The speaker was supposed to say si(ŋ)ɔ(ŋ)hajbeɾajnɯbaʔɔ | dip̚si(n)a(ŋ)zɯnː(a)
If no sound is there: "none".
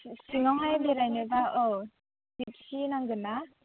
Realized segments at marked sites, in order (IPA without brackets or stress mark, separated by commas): ŋ, ŋ, n, ŋ, a